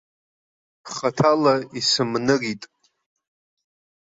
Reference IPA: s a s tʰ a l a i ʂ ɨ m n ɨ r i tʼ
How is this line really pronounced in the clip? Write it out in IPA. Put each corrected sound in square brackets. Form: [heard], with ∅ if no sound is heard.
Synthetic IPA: [χ] a [∅] tʰ a l a i [s] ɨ m n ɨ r i tʼ